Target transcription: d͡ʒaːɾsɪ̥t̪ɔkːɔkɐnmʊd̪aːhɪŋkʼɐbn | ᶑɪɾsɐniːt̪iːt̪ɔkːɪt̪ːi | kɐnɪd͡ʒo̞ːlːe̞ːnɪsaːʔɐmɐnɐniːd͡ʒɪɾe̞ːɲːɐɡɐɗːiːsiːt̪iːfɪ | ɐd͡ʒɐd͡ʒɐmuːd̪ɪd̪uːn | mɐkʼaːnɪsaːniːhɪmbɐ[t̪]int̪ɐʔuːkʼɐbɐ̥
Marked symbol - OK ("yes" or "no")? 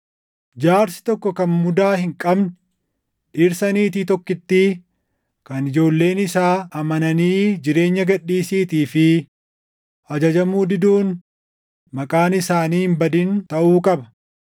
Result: no